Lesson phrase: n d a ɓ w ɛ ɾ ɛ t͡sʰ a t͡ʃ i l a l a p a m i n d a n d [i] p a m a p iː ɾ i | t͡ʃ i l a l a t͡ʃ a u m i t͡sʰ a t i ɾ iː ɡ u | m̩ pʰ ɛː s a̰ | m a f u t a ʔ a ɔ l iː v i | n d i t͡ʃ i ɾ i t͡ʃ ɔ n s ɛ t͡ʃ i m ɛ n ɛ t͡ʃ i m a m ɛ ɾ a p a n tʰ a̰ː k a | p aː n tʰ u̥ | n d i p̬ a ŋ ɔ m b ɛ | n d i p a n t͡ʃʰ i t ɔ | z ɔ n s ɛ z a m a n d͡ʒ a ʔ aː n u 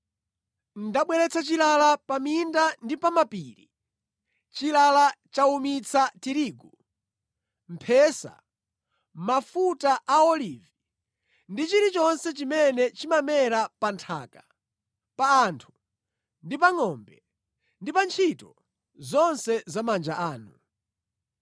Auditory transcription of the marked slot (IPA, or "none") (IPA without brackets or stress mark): i